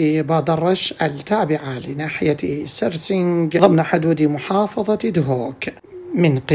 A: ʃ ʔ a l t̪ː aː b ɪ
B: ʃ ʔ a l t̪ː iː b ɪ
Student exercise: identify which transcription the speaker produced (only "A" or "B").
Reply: A